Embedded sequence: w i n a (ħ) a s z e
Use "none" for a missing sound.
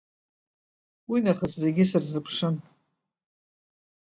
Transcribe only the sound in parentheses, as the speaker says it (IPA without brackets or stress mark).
χ